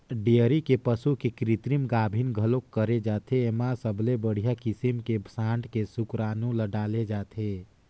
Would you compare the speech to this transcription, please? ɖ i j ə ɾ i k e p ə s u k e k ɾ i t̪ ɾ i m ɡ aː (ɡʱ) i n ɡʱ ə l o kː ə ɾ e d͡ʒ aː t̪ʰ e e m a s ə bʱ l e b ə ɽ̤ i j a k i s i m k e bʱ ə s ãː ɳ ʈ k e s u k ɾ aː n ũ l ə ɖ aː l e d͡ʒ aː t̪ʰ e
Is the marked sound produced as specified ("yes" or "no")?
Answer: no